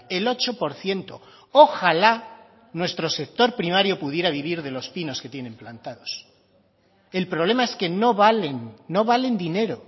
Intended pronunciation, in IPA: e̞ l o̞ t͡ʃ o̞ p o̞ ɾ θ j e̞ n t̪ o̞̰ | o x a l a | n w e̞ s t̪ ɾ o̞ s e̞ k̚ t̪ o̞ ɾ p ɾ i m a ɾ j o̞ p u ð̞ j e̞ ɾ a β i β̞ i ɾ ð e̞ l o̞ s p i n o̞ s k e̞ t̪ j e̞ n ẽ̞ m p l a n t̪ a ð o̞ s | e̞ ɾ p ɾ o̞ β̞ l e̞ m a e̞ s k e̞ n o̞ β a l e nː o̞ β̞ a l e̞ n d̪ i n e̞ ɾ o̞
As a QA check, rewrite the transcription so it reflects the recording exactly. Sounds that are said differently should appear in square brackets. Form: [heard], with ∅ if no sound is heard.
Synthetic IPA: e̞ l o̞ t͡ʃ o̞ p o̞ ɾ θ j e̞ n t̪ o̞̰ | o x a l a | n w e̞ s t̪ ɾ o̞ s e̞ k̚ t̪ o̞ ɾ p ɾ i m a ɾ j o̞ p u ð̞ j e̞ ɾ a β i β̞ i ɾ ð e̞ l o̞ s p i n o̞ s k e̞ t̪ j e̞ n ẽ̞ m p l a n t̪ a ð o̞ s | e̞ [l] p ɾ o̞ β̞ l e̞ m a e̞ s k e̞ n o̞ β a l e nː o̞ β̞ a l e̞ n d̪ i n e̞ ɾ o̞